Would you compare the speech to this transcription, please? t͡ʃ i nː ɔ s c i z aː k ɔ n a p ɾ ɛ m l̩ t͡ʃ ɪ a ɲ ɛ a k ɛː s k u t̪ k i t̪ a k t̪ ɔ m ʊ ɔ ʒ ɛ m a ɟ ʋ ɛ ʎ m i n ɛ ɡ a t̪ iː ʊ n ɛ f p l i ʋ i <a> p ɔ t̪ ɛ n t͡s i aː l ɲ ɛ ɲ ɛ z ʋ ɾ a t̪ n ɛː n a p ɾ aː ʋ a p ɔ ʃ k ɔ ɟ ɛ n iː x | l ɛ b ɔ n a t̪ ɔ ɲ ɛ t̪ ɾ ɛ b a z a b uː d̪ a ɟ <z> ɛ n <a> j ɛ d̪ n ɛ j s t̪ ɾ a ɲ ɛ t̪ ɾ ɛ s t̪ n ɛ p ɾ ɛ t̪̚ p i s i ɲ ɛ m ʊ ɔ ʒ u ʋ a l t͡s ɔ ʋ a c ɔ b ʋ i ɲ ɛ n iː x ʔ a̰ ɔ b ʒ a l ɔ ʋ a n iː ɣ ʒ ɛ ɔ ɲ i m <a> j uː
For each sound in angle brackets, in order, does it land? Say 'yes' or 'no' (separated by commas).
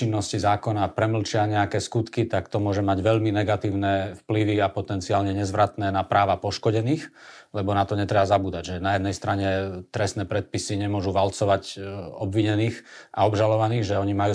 yes, no, yes, yes